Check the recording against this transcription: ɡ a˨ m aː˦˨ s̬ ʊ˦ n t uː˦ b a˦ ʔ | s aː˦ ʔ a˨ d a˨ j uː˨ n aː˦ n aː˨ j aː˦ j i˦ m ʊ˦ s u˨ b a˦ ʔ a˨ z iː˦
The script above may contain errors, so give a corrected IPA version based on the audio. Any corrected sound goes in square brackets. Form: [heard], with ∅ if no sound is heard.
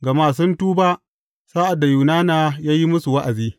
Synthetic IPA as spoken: ɡ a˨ m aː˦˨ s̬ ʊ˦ n t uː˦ b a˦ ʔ | s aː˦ ʔ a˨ d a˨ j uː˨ n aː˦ n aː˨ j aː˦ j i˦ m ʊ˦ s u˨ [w] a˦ ʔ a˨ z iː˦